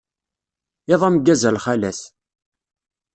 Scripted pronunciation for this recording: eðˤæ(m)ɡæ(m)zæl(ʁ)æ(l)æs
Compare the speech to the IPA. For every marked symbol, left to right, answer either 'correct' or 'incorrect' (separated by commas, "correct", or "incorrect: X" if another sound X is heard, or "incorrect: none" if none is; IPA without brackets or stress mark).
correct, incorrect: none, incorrect: χ, correct